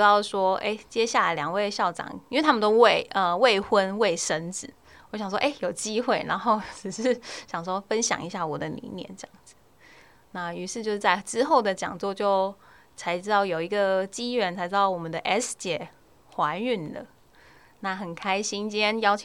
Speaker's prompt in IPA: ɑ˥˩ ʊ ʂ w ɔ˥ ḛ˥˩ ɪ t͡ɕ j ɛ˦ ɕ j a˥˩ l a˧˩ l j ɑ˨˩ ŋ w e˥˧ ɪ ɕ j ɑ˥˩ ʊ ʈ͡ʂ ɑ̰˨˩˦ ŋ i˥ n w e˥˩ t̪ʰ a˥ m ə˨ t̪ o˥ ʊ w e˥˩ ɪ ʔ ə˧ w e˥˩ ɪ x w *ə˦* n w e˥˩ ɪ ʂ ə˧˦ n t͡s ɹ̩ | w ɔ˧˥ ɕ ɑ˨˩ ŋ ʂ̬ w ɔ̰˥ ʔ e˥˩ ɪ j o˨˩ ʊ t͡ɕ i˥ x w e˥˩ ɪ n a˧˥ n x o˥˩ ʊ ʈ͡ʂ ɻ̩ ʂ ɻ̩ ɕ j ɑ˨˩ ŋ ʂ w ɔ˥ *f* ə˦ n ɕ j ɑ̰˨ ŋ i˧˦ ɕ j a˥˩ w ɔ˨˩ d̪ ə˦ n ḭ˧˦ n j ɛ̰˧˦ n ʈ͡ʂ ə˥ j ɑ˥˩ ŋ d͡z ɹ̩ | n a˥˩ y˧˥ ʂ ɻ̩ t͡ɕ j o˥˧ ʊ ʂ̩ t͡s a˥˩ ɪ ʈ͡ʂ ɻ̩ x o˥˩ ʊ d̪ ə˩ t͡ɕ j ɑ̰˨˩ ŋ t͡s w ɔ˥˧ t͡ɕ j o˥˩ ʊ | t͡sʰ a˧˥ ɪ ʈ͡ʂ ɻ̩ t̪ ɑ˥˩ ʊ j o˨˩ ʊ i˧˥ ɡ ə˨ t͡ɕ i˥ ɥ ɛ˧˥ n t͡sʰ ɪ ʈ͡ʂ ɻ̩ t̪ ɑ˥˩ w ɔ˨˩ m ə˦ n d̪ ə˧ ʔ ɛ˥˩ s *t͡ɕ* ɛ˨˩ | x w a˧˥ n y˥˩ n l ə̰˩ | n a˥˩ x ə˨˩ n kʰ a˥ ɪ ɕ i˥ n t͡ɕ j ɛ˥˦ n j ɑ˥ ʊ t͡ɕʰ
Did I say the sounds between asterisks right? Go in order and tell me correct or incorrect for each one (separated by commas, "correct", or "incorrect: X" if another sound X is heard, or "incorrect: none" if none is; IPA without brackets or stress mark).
correct, correct, correct